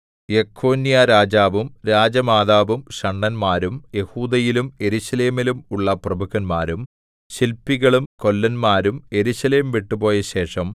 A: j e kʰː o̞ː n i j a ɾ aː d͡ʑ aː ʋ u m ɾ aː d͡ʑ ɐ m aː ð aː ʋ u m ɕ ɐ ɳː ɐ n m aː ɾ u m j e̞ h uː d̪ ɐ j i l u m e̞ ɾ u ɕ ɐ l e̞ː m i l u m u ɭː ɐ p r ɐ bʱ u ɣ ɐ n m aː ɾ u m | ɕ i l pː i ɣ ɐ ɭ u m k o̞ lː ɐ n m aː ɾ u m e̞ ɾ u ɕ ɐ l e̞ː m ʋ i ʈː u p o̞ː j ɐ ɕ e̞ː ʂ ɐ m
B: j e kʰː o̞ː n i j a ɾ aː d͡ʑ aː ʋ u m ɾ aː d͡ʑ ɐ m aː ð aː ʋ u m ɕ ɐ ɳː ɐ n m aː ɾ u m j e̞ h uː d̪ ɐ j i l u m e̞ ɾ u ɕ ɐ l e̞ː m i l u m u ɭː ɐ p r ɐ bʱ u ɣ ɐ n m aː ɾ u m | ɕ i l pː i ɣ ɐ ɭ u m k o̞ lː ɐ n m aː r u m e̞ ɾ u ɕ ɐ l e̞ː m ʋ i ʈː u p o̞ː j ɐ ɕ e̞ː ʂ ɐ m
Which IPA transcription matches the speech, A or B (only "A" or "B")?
A